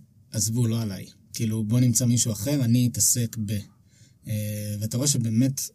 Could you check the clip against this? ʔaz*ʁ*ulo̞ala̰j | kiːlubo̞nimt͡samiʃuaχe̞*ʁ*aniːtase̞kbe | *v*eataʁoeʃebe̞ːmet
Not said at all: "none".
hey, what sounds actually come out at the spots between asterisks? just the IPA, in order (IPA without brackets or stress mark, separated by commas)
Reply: v, ʁ, v